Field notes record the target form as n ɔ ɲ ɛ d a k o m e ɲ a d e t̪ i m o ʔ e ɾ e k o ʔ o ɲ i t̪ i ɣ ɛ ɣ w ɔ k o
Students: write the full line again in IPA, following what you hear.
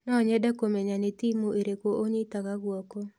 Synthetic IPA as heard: n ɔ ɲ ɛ d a k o m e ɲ a n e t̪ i m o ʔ e ɾ e k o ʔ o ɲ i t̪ a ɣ a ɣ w ɔ k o